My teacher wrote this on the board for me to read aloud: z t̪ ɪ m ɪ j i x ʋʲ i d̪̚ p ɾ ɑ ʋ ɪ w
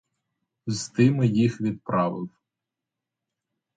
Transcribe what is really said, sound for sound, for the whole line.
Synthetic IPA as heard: z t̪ ɪ m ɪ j i x ʋʲ i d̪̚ p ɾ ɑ ʋ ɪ w

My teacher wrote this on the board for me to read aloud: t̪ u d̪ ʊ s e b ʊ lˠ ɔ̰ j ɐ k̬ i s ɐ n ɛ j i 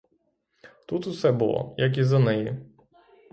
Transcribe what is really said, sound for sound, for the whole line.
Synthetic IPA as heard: t̪ u t̪ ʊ s ɛ b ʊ lˠ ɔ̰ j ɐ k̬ i z ɐ n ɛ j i

